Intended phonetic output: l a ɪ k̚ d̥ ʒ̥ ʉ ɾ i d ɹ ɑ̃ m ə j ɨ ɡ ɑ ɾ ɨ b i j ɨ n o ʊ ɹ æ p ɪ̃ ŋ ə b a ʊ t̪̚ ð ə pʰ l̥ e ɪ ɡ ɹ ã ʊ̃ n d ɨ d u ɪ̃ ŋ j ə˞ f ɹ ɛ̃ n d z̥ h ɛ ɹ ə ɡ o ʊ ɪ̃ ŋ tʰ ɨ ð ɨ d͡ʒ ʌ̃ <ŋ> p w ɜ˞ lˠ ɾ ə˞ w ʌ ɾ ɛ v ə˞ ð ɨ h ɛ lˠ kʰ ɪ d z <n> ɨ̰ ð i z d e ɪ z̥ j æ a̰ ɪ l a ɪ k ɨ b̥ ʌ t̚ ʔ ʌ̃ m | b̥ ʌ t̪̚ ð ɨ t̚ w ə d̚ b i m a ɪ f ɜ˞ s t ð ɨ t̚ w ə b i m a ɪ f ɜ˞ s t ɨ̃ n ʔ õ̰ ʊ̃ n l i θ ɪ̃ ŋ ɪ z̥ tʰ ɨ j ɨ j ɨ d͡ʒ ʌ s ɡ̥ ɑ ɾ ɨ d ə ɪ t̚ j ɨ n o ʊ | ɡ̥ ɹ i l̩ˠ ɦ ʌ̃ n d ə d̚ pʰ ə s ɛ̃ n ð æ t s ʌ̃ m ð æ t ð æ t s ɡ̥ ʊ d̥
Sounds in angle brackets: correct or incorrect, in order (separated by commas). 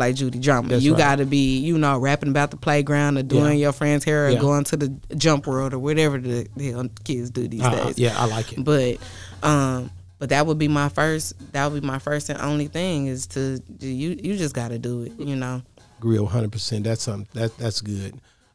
incorrect, incorrect